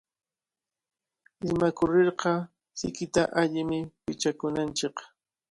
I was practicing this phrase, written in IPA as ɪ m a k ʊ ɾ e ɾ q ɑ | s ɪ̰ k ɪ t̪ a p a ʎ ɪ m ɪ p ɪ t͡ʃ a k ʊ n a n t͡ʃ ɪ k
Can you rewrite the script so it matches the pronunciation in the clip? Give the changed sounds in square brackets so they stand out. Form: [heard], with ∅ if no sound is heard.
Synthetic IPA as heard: ɪ m a k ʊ ɾ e ɾ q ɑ | s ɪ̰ k ɪ t̪ a [ʔ] a ʎ ɪ m ɪ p ɪ t͡ʃ a k ʊ n a n t͡ʃ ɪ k